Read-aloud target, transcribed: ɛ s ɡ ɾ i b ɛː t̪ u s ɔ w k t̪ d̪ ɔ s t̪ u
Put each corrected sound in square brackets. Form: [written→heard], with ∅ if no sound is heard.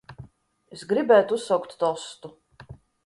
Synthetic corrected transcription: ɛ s ɡ ɾ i b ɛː t̪ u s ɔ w k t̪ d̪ ɔ s t̪ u